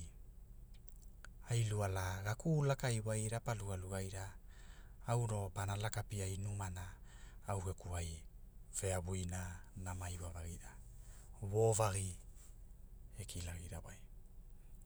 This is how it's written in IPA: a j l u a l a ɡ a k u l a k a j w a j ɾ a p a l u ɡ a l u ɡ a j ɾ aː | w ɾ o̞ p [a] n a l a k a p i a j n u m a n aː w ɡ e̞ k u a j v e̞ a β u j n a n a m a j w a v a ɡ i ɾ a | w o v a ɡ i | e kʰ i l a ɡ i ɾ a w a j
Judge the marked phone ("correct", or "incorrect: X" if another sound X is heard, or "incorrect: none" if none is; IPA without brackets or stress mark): correct